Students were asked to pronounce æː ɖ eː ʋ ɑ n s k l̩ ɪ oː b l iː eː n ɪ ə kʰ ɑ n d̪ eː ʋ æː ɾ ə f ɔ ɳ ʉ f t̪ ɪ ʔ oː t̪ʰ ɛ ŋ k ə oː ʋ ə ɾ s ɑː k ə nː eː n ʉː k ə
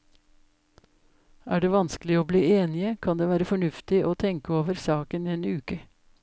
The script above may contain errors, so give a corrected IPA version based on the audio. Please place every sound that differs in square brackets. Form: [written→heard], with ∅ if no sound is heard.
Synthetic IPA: æː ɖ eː ʋ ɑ n s k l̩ ɪ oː b l iː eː n ɪ ə kʰ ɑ n d̪ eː ʋ æː ɾ ə f ɔ ɳ ʉ f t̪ ɪ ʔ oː t̪ʰ ɛ ŋ k ə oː ʋ ə ɾ s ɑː k ə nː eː n ʉː k ə